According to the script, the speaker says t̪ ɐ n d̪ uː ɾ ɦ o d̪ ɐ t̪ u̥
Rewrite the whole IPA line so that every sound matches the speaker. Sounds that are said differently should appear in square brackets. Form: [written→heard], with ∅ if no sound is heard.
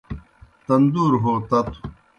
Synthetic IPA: t̪ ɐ n d̪ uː ɾ ɦ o [d̪→t̪] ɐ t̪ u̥